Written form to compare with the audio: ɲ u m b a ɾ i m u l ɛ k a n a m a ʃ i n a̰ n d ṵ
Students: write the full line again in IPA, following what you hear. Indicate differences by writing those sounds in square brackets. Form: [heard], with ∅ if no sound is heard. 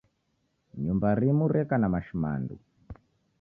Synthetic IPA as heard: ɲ u m b a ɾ i m u [ɾ] ɛ k a n a m a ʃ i [m] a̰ n d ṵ